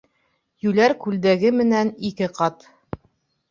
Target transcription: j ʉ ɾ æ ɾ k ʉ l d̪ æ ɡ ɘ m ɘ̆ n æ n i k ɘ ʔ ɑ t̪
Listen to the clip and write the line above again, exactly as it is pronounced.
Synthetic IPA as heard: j ʉ l æ ɾ k ʉ l d̪ æ ɡ ɘ m ɘ̆ n æ n i k ɘ q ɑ t̪

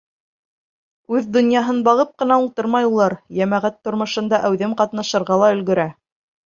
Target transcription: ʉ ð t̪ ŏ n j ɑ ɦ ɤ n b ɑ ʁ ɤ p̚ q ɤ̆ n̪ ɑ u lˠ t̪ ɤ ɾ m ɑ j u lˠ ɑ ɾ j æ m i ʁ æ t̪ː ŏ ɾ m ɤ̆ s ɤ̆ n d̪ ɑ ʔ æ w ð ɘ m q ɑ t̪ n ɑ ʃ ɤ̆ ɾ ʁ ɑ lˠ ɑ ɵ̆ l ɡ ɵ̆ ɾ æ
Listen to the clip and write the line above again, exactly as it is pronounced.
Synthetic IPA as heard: ʉ ð d̪ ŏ n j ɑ ɦ ɤ n b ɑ ʁ ɤ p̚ q ɤ̆ n̪ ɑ u lˠ t̪ ɤ ɾ m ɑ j u lˠ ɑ ɾ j æ m æ ʁ æ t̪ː ŏ ɾ m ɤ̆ ʃ ɤ̆ n d̪ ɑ ʔ æ w ð ɘ m q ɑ t̪ n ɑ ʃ ɤ̆ ɾ ʁ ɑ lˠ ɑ ɵ̆ l ɡ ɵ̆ ɾ æ

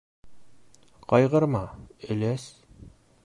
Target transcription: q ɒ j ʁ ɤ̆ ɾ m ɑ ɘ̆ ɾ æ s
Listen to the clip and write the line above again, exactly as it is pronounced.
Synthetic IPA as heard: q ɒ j ʁ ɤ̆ ɾ m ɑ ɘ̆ l æ s

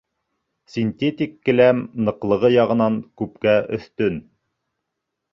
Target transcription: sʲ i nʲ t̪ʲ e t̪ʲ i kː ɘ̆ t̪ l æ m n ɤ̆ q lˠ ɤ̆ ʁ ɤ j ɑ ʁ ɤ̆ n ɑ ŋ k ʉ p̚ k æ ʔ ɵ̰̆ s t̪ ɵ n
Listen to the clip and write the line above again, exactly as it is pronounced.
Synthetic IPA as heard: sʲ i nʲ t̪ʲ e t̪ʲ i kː ɘ̆ l æ m n ɤ̆ q lˠ ɤ̆ ʁ ɤ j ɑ ʁ ɤ̆ n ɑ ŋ k ʉ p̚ k æ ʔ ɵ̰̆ θ t̪ ɵ n

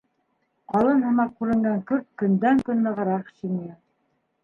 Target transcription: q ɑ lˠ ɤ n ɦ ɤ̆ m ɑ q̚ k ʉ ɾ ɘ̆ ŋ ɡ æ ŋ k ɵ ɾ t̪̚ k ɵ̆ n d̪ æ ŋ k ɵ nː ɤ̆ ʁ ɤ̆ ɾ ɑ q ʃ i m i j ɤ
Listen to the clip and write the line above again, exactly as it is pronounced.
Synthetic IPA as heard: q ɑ lˠ ɤ n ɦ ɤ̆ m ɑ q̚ k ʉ ɾ ɘ̆ ŋ ɡ æ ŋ k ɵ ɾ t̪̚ k ɵ̆ n d̪ æ ŋ k ɵ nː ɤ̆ ʁ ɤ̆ ɾ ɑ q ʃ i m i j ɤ

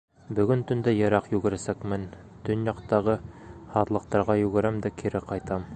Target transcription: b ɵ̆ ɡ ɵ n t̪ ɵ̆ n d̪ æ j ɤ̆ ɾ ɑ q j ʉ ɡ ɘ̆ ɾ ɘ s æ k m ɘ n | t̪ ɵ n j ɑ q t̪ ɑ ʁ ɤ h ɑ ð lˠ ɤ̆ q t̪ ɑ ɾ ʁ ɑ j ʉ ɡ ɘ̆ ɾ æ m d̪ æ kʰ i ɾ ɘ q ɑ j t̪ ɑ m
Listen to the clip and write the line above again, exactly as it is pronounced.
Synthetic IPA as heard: b ɵ̆ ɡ ɵ n t̪ ɵ̆ n d̪ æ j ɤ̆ ɾ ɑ q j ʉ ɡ ɘ̆ ɾ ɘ s æ k m ɘ n | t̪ ɵ n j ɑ q t̪ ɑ ʁ ɤ h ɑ ð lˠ ɤ̆ q t̪ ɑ ɾ ʁ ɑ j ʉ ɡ ɘ̆ ɾ æ m d̪ æ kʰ i ɾ ɘ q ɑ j t̪ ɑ m

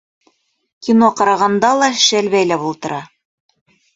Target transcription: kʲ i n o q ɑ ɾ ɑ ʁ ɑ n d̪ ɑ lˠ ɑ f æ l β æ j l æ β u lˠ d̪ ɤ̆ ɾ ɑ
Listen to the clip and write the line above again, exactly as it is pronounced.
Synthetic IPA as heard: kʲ i n o q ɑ ɾ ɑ ʁ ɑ n d̪ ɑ lˠ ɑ ʃ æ l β æ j l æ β u lˠ t̪ ɤ̆ ɾ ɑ

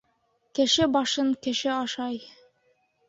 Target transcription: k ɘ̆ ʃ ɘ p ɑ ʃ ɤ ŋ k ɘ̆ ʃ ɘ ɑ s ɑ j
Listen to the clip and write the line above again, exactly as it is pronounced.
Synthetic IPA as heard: k ɘ̆ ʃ ɘ b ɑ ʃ ɤ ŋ k ɘ̆ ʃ ɘ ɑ ʃ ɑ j

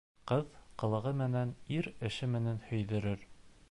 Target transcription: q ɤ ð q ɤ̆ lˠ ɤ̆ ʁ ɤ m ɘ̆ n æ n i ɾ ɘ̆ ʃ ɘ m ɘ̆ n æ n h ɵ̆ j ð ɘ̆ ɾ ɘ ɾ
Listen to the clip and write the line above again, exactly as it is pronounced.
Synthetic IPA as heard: q ɤ ð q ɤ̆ lˠ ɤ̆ ʁ ɤ m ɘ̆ n æ n i ɾ ɘ̆ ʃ ɘ m ɘ̆ n æ n h ɵ̆ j ð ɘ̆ ɾ ɘ ɾ

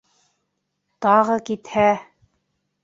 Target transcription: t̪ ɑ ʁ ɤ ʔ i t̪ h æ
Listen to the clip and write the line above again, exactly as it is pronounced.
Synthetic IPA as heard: t̪ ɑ ʁ ɤ k i t̪ h æ

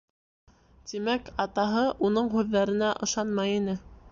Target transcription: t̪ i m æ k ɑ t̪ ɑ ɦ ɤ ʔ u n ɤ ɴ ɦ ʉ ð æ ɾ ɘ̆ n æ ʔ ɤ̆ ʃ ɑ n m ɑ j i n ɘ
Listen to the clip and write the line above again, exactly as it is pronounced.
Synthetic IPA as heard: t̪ i m æ k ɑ t̪ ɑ ɦ ɤ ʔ u n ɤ ɴ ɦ ʉ ðː æ ɾ ɘ̆ n æ ʔ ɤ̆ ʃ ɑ n m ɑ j i n ɘ

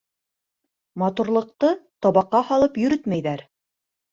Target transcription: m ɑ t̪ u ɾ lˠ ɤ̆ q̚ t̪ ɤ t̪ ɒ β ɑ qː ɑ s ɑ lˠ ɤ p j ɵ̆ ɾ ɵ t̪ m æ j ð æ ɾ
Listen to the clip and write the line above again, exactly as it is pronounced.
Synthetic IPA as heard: m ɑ t̪ u ɾ lˠ ɤ̆ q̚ t̪ ɤ t̪ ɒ β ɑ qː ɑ h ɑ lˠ ɤ p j ɵ̆ ɾ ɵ t̪ m æ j ð æ ɾ

